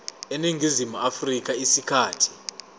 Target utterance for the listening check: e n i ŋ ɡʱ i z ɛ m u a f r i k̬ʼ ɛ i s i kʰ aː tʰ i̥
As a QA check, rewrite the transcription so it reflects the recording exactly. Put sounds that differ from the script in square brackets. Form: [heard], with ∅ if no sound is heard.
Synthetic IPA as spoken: e n i ŋ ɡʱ i z [i] m u a f r i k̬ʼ [a] i s i kʰ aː tʰ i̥